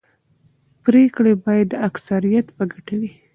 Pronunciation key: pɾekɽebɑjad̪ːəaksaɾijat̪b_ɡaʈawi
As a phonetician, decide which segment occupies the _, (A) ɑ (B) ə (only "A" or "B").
B